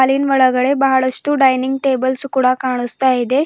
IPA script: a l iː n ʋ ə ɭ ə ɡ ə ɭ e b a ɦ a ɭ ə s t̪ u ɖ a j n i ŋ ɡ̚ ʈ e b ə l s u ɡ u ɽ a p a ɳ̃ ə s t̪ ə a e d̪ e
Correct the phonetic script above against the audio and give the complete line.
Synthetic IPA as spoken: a l iː n ʋ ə ɭ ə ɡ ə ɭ e b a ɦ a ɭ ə s t̪ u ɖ a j n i ŋ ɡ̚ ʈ e b ə l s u k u ɽ a k a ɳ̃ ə s t̪ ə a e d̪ e